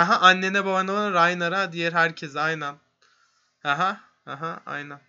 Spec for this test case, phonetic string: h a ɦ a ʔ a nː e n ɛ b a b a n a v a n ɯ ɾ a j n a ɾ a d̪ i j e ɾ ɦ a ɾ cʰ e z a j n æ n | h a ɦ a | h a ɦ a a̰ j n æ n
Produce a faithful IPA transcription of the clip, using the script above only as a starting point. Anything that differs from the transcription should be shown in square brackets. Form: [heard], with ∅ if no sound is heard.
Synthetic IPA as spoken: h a ɦ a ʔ a nː e n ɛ b a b a n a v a n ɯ ɾ a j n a ɾ a d̪ i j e ɾ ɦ [æ] ɾ cʰ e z a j n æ n | h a ɦ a | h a ɦ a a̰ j n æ n

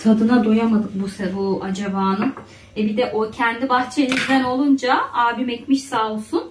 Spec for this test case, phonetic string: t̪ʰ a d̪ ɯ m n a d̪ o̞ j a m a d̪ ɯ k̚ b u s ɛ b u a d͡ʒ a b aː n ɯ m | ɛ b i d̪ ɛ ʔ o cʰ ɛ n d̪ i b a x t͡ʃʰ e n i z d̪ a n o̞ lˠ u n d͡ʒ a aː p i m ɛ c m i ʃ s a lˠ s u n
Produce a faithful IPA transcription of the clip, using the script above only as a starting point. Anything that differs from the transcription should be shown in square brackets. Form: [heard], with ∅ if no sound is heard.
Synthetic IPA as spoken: t̪ʰ a d̪ ɯ [∅] n a d̪ o̞ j a m a d̪ ɯ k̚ b u s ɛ b u a d͡ʒ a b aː n ɯ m | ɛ b i d̪ ɛ ʔ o cʰ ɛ n d̪ i b a x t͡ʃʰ e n i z d̪ [æ] n o̞ lˠ u n d͡ʒ a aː [b] i m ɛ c m i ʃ s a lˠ s u n

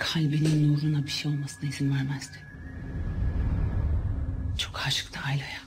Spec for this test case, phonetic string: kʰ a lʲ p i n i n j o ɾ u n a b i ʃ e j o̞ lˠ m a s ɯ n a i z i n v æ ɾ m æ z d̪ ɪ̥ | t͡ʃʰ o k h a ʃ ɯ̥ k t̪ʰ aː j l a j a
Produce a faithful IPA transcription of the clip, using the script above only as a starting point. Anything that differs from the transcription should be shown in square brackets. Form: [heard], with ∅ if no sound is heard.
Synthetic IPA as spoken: kʰ a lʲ [b] i n i n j o ɾ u n a b i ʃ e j o̞ lˠ m a s ɯ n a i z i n v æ ɾ m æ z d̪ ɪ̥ | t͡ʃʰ o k h a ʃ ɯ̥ k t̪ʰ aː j l a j a

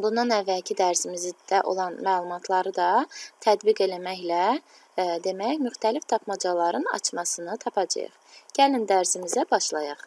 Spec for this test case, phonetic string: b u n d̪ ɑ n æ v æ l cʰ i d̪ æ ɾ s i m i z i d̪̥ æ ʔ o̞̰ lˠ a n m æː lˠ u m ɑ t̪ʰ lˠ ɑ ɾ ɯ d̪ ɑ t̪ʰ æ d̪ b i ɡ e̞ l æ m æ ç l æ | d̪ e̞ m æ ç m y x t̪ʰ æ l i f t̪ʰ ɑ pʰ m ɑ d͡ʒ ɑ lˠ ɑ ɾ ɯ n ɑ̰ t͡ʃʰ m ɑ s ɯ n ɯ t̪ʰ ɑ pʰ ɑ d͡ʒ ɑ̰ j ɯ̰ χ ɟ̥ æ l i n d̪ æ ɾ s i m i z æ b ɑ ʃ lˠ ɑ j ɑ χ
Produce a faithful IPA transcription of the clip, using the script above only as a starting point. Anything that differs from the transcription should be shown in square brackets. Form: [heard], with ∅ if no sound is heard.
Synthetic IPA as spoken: b u n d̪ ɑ n æ [vː] æ l cʰ i d̪ æ ɾ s i m i z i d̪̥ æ ʔ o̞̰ lˠ [ɑ] n m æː lˠ u m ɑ t̪ʰ lˠ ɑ ɾ ɯ d̪ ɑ t̪ʰ æ d̪ b i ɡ e̞ l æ m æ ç l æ | d̪ e̞ m æ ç m y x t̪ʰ æ l i f t̪ʰ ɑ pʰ m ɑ d͡ʒ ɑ lˠ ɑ ɾ ɯ n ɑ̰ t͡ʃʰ m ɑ s ɯ n ɯ t̪ʰ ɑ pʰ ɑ d͡ʒ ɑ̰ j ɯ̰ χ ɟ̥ æ l i n d̪ æ ɾ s i m i z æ b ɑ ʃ lˠ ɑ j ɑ χ

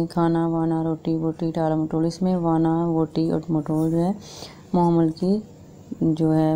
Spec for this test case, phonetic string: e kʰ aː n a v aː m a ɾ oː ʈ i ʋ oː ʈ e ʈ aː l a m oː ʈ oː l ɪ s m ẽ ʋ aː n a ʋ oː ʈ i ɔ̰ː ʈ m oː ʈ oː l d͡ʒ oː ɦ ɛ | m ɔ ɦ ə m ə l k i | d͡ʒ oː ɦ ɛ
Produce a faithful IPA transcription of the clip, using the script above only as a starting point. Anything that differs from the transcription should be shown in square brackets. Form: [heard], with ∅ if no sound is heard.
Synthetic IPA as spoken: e kʰ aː n a [ʋ] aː [n] a ɾ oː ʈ i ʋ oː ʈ [i] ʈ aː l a m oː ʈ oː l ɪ s m ẽ ʋ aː n a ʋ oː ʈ i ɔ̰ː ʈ m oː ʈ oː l d͡ʒ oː ɦ ɛ | m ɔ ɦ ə m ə l k i | d͡ʒ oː ɦ ɛ

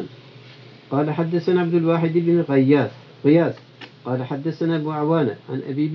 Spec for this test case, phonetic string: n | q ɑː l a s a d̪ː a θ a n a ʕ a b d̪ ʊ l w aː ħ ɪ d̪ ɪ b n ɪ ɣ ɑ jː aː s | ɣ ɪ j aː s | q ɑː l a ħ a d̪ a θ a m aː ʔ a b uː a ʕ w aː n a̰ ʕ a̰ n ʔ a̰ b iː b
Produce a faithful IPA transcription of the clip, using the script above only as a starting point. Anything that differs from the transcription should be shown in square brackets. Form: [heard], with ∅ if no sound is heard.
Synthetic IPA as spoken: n | q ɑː l a [ħ] a d̪ː a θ a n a ʕ a b d̪ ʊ l w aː ħ ɪ d̪ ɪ b n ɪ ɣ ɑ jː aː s | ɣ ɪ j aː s | q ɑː l a ħ a [d̪ː] a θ a [n] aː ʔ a b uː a ʕ w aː n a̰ ʕ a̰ n ʔ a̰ b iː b

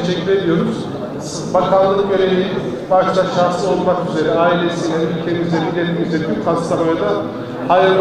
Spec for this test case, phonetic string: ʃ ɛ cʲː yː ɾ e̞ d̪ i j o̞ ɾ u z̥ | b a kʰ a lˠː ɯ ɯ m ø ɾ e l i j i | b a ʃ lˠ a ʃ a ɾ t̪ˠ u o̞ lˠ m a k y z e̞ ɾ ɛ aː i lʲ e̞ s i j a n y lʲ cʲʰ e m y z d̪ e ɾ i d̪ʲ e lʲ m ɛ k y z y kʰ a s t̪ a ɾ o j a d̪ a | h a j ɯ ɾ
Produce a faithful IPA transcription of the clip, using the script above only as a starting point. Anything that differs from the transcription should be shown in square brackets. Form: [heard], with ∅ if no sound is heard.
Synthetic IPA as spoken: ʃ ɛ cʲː [y] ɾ e̞ d̪ i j o̞ ɾ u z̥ | b a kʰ a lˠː ɯ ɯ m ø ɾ e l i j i | b a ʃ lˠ a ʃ a ɾ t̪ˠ [ɯ] o̞ lˠ m a k y z e̞ ɾ ɛ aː i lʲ e̞ s i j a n y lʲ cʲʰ e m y z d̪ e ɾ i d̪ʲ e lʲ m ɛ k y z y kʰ a s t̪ a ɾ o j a d̪ a | h a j ɯ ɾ

